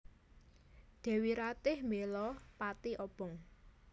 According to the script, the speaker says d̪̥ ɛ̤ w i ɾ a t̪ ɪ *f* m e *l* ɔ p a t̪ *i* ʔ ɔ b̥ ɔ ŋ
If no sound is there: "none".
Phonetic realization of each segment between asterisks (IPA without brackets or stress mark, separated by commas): h, l, i